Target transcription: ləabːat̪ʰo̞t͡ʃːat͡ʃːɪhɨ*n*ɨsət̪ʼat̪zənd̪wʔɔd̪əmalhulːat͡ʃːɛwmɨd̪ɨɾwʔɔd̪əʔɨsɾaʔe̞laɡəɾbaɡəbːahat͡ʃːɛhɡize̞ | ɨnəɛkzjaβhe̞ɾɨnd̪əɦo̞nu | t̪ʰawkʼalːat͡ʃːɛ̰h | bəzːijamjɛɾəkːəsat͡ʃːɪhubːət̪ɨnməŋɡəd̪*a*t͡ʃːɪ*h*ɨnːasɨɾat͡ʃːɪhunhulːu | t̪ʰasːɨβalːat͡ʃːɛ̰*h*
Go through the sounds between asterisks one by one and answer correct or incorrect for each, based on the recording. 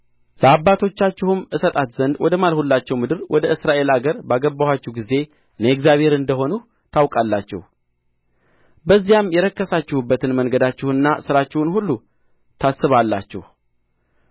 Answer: incorrect: m, correct, correct, correct

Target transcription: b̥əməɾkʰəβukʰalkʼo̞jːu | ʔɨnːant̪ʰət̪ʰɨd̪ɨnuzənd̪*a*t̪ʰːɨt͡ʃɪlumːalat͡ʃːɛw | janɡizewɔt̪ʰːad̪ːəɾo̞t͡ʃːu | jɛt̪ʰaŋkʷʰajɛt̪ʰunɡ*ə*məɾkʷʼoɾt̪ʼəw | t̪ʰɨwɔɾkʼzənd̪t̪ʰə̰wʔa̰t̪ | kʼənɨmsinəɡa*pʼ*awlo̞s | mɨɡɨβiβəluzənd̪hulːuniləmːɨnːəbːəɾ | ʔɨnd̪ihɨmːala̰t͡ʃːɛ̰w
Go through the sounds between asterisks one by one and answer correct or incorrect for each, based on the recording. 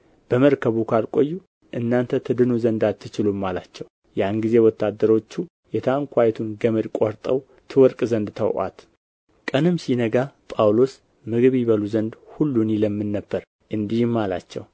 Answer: correct, correct, correct

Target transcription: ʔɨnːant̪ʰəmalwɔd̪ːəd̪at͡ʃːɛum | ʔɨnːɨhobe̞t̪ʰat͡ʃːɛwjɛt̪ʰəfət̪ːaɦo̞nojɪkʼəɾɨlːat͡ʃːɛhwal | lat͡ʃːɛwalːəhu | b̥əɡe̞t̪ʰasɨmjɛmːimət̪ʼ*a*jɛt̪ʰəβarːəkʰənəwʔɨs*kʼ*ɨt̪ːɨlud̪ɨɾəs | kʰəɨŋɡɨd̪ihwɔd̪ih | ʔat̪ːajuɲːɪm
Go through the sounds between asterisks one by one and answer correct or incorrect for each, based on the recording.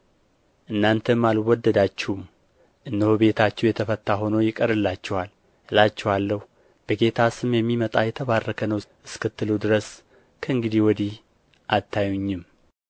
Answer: correct, incorrect: k

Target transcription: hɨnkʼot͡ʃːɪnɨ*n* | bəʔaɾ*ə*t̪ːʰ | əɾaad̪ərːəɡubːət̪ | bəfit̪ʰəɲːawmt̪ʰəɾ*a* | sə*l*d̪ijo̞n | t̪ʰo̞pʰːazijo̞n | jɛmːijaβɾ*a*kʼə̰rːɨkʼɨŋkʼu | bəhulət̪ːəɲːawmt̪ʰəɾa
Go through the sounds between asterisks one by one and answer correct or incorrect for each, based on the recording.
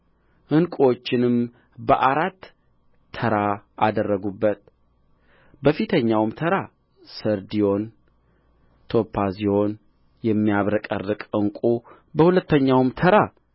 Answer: incorrect: m, incorrect: a, correct, incorrect: ɾ, incorrect: ə

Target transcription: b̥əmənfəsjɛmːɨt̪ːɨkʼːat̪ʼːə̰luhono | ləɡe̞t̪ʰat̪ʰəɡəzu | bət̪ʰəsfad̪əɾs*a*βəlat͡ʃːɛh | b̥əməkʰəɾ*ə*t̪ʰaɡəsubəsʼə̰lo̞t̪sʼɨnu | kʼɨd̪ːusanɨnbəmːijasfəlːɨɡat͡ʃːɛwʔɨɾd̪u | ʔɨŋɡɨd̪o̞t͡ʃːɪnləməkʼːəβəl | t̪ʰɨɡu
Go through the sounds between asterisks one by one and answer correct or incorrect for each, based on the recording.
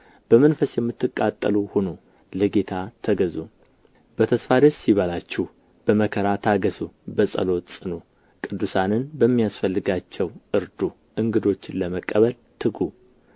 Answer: incorrect: i, incorrect: a

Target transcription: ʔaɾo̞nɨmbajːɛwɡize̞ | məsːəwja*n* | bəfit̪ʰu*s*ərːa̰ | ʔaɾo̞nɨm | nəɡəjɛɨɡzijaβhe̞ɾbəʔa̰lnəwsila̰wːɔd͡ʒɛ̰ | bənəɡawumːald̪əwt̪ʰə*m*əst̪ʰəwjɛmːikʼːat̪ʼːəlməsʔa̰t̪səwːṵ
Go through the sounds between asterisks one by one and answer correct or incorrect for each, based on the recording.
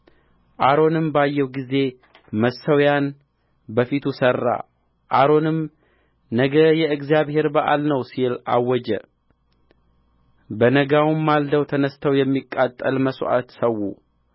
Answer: correct, correct, incorrect: n

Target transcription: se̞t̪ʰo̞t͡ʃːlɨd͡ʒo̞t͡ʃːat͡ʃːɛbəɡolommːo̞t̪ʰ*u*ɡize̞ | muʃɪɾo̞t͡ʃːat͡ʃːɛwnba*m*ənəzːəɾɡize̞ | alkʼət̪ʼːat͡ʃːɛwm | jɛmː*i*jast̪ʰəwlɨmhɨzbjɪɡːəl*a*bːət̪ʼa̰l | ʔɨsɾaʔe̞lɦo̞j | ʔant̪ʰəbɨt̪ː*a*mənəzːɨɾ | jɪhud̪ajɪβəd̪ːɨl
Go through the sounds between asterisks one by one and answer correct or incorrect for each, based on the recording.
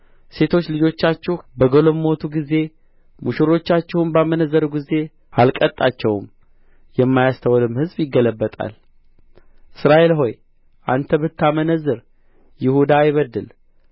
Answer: correct, correct, incorrect: a, incorrect: ə, correct

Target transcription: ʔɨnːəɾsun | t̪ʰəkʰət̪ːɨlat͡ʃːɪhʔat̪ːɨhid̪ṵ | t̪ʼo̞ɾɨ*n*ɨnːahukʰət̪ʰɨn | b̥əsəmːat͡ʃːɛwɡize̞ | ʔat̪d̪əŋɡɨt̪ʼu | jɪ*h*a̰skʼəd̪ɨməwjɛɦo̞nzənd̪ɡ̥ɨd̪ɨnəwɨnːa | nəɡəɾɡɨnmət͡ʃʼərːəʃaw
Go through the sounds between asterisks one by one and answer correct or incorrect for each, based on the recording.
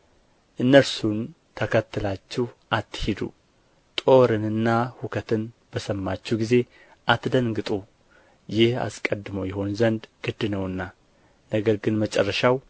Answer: correct, correct

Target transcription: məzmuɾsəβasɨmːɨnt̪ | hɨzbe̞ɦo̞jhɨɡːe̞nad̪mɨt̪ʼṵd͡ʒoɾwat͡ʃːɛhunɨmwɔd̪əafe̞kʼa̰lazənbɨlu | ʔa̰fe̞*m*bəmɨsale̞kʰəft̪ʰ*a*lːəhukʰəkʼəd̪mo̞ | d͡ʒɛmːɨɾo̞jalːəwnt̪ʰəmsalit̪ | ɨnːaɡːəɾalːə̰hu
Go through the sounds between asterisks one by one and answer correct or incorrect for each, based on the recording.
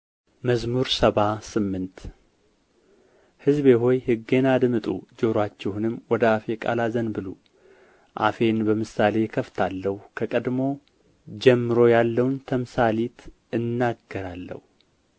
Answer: incorrect: n, correct

